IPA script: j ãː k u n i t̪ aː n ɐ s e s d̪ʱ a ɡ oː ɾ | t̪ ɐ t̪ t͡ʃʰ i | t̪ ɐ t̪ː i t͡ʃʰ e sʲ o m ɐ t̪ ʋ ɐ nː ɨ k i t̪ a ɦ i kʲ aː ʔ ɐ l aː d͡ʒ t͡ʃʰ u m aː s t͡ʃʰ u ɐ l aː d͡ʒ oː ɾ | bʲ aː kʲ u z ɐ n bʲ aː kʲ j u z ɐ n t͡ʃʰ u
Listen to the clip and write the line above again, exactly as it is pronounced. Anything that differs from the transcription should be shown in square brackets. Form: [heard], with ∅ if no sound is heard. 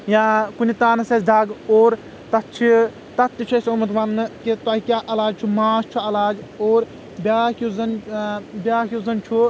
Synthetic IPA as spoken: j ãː k u n i t̪ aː n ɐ s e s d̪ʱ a ɡ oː ɾ | t̪ ɐ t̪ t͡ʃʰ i | t̪ ɐ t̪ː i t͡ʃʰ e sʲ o m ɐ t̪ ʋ ɐ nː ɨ k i t̪ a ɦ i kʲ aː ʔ ɐ l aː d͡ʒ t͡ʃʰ u m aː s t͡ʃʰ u ɐ l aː d͡ʒ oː ɾ | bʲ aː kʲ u z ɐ n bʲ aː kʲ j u z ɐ n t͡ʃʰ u

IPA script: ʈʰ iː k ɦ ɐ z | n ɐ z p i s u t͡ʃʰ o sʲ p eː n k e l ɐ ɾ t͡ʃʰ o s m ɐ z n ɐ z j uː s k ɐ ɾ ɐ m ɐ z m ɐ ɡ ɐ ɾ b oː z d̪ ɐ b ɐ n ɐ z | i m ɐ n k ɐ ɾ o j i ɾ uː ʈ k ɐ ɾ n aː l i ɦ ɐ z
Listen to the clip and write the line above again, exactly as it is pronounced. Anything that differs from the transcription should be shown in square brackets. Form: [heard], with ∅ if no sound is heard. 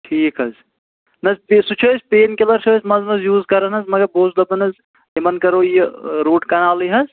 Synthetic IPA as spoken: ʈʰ iː k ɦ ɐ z | n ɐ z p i s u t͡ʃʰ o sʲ p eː n k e l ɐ ɾ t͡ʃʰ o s m ɐ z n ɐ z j uː [z] k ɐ ɾ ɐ [n] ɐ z m ɐ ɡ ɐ ɾ b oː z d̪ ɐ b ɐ n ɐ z | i m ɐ n k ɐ ɾ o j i ɾ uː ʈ k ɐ [∅] n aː l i ɦ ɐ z

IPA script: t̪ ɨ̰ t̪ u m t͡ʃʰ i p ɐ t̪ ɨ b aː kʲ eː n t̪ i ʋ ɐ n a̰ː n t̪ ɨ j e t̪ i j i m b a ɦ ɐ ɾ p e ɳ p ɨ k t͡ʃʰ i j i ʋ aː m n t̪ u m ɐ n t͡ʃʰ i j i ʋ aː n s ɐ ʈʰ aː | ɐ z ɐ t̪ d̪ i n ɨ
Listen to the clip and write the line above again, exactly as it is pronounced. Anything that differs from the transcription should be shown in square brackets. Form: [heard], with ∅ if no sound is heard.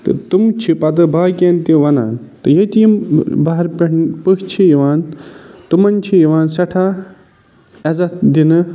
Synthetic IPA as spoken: t̪ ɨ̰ t̪ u m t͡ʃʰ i p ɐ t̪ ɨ b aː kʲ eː n t̪ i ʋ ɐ n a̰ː n t̪ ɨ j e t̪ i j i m b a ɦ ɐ ɾ p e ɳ p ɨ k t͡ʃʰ i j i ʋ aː [∅] n t̪ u m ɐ n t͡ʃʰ i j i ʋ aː n s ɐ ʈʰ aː | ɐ z ɐ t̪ d̪ i n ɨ

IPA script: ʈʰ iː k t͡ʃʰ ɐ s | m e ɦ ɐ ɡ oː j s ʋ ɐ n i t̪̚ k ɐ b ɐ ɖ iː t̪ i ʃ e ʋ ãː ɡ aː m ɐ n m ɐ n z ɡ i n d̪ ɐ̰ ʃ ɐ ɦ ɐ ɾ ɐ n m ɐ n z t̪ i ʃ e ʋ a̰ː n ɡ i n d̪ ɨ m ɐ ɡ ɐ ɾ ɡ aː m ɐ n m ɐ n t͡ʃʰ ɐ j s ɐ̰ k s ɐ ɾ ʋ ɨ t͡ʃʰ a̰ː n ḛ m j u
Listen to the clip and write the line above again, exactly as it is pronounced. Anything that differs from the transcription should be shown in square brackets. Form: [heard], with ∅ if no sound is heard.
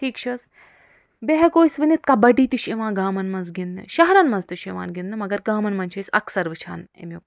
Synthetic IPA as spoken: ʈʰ iː k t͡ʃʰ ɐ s | [b] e ɦ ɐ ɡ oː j s ʋ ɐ n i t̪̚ k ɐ b ɐ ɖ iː t̪ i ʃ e ʋ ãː ɡ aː m ɐ n m ɐ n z ɡ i n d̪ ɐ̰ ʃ ɐ ɦ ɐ ɾ ɐ n m ɐ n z t̪ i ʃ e ʋ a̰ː n ɡ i n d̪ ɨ m ɐ ɡ ɐ ɾ ɡ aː m ɐ n m ɐ n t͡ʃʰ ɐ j s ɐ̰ k s ɐ ɾ ʋ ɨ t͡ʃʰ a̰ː n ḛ m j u

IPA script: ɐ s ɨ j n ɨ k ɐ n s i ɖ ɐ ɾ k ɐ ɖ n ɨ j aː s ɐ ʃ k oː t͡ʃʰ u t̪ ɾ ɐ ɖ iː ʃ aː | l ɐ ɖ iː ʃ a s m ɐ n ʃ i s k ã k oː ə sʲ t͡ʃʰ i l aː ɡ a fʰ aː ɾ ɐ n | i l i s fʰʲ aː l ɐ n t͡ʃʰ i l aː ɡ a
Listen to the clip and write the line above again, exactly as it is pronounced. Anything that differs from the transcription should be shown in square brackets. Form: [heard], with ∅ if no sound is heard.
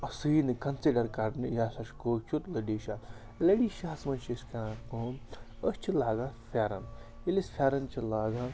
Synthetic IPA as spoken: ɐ s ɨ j n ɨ k ɐ n s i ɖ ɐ ɾ k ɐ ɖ n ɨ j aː s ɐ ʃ k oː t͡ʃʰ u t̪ [l] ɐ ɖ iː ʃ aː | l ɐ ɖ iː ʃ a s m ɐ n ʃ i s k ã k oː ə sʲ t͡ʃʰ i l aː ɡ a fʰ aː ɾ ɐ n | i l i s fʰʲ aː [ɾ] ɐ n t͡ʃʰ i l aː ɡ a

